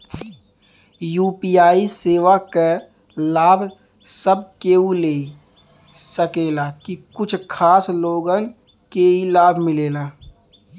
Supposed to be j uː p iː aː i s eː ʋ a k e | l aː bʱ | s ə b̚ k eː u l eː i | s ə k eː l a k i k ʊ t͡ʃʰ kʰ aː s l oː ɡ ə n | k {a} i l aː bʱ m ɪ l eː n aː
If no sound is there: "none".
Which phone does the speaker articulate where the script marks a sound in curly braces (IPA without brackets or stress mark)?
e